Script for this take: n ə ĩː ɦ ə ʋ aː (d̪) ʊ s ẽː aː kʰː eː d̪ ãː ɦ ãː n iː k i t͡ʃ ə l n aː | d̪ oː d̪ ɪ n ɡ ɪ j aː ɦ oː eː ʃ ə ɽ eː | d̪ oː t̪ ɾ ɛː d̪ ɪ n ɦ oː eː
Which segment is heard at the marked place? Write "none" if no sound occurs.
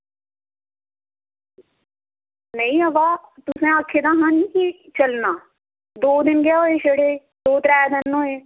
t̪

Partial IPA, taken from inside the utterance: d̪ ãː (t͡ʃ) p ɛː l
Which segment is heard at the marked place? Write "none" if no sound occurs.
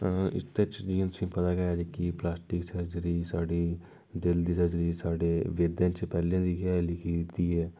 t͡ʃ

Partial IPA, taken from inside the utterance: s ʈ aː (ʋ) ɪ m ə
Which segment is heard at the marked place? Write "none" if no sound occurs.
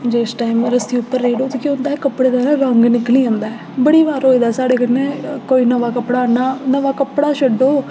none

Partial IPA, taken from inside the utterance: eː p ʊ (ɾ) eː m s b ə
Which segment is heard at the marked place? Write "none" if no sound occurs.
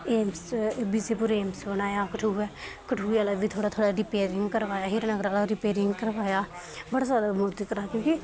ɾ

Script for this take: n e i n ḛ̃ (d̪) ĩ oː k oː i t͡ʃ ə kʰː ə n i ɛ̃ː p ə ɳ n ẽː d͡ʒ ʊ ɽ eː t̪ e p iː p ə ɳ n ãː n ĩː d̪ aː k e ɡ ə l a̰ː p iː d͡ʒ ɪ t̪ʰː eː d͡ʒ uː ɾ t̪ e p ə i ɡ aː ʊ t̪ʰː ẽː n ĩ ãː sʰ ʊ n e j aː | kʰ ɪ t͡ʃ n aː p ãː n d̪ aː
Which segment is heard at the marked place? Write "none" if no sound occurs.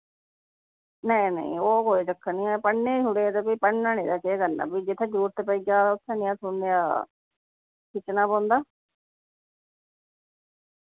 none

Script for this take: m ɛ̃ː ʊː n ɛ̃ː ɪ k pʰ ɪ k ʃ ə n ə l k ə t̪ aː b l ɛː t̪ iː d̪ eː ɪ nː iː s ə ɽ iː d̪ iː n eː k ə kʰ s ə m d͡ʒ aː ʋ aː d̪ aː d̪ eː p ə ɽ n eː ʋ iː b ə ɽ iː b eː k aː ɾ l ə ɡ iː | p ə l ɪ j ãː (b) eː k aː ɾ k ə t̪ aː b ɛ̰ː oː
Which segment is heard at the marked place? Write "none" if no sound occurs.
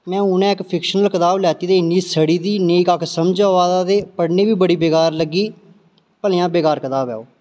b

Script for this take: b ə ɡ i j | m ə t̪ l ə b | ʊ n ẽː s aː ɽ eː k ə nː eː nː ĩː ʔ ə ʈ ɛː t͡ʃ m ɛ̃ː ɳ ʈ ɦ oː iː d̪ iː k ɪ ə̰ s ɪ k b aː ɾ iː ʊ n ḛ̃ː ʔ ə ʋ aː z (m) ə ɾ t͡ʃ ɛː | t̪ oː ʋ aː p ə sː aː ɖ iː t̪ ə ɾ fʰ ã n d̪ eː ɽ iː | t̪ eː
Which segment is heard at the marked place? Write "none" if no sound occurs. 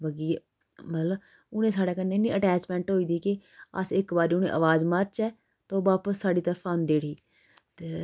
m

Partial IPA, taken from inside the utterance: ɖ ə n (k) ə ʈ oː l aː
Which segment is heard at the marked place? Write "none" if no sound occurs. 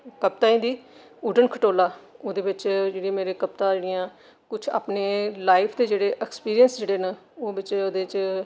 kʰ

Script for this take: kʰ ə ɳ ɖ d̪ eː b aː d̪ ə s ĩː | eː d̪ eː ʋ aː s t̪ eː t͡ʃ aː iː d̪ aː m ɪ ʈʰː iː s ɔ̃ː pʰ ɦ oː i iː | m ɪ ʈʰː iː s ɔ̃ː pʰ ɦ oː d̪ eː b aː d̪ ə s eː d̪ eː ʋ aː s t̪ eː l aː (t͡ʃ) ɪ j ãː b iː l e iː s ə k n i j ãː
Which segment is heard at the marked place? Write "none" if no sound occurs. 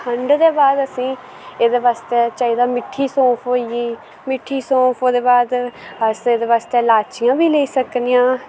t͡ʃ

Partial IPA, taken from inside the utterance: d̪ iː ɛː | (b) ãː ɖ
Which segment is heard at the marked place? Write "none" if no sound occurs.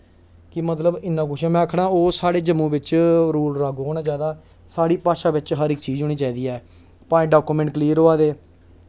p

